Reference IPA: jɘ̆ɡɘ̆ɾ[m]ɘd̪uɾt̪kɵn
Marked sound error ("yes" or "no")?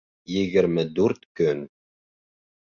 no